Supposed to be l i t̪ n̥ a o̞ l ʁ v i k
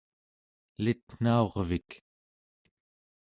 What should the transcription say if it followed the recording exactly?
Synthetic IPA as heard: l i t̪ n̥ a o̞ ʁ v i k